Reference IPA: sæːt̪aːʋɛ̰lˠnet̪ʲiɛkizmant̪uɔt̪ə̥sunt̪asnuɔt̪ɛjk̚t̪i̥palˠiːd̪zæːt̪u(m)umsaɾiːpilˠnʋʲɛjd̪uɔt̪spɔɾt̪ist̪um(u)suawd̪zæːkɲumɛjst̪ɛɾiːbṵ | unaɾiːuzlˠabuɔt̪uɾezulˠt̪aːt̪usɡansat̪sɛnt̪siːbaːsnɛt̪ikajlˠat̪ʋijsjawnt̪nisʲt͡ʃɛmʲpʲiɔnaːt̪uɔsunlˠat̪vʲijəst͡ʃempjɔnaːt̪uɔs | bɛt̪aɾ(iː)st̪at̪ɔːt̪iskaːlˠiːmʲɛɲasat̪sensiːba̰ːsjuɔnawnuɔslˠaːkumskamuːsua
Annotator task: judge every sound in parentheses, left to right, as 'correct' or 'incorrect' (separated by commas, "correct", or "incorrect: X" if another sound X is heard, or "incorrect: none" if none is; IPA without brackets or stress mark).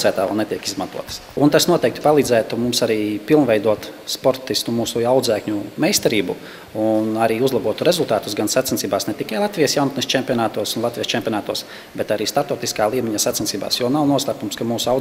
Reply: correct, incorrect: uː, correct